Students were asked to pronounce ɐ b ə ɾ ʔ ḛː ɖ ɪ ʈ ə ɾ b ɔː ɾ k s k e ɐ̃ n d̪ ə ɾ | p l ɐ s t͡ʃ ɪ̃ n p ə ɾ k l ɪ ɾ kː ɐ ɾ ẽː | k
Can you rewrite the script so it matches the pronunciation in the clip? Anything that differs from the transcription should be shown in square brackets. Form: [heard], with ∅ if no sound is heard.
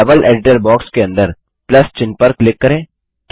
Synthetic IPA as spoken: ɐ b ə [l] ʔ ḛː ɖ ɪ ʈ ə ɾ b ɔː [∅] k s k e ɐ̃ n d̪ ə ɾ | p l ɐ s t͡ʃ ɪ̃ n p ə ɾ k l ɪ [∅] kː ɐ ɾ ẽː | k